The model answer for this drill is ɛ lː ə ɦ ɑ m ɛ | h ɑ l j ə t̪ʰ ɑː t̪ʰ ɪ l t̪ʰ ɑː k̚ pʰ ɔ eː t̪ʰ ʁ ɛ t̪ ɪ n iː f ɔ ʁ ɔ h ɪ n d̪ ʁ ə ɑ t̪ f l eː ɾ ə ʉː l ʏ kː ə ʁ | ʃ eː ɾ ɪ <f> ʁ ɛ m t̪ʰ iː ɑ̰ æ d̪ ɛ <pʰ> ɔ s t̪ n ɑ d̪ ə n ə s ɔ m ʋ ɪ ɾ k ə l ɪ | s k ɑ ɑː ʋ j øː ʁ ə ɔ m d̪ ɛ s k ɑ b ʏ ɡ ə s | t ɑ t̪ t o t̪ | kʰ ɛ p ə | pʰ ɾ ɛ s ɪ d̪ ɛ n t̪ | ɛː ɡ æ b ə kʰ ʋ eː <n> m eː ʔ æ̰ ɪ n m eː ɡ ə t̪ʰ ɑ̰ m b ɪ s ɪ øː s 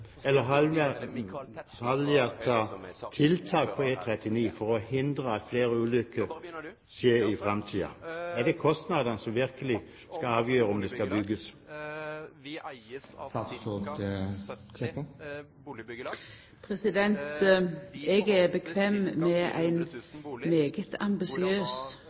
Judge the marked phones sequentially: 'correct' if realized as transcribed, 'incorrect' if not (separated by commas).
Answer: correct, incorrect, incorrect